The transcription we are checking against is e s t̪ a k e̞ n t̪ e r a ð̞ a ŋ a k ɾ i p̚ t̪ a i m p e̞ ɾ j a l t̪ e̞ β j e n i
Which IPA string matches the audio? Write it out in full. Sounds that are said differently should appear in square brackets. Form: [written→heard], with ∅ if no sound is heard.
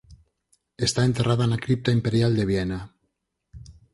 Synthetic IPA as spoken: e s t̪ a [k→∅] e̞ n t̪ e r a ð̞ a [ŋ→n] a k ɾ i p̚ t̪ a i m p e̞ ɾ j a l [t̪→d̪] e̞ β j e n [i→a]

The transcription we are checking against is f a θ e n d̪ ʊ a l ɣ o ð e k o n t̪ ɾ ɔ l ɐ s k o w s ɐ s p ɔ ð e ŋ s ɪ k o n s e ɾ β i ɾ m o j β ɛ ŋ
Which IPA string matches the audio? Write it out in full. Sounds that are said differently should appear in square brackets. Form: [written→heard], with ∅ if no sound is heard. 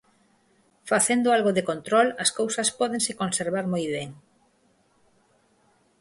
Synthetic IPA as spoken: f a θ e n d̪ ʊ a l ɣ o ð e k o n t̪ ɾ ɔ l ɐ s k o w s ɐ s p ɔ ð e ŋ s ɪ k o n s e ɾ β [i→a] ɾ m o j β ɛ ŋ

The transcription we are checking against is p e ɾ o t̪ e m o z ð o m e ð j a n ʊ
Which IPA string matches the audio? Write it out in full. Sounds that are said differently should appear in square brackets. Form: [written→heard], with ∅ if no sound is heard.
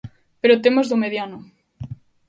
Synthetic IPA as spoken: p e ɾ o t̪ e m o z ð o m e ð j a n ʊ

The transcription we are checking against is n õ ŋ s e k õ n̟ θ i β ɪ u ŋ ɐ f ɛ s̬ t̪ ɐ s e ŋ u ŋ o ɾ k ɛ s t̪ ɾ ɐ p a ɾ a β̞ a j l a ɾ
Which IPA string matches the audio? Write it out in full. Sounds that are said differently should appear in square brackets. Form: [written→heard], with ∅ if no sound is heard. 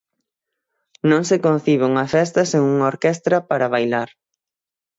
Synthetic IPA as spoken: n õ ŋ s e k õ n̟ θ i β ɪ u ŋ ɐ f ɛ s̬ t̪ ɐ s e ŋ u ŋ o ɾ k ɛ s t̪ ɾ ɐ p a ɾ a β̞ a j l a ɾ

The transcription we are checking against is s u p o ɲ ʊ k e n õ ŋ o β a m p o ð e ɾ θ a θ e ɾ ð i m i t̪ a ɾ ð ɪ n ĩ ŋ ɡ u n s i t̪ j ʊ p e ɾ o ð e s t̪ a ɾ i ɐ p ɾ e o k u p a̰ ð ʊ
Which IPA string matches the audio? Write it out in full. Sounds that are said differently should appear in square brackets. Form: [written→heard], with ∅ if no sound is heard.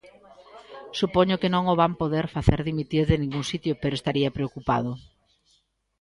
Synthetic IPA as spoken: s u p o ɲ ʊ k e n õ ŋ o β a m p o ð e ɾ [θ→f] a θ e ɾ ð i m i t̪ [a→i] ɾ ð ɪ n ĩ ŋ ɡ u [n→ŋ] s i t̪ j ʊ p e ɾ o [ð→∅] e s t̪ a ɾ i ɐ p ɾ e o k u p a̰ ð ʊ

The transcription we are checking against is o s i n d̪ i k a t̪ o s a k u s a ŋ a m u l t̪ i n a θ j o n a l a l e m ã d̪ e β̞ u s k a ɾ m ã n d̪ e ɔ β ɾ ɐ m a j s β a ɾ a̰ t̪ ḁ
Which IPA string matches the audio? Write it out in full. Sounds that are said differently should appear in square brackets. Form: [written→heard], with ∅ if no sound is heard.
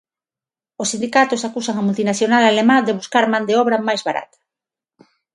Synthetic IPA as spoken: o s i n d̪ i k a t̪ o s a k u s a ŋ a m u l t̪ i n a θ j o n a l a l e m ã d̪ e β̞ u s k a ɾ m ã n d̪ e ɔ β ɾ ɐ m a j [s→z] β a ɾ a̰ t̪ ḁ

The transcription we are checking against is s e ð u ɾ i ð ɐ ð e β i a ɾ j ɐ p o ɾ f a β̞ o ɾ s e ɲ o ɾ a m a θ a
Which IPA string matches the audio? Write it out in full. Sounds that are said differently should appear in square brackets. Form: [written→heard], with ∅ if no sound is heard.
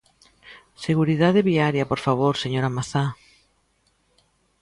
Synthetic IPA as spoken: s e [ð→ɣ] u ɾ i ð [ɐ→a] ð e β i a ɾ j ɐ p o ɾ f a β̞ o ɾ s e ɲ o ɾ a m a θ a

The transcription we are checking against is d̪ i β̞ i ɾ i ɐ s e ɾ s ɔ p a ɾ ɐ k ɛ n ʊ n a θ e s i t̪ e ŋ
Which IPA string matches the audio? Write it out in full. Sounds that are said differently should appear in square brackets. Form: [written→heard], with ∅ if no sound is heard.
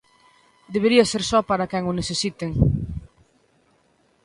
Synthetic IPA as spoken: d̪ [i→e] β̞ [i→e] ɾ i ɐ s e ɾ s ɔ p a ɾ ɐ k ɛ [n→ŋ] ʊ n [a→e] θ e s i t̪ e ŋ

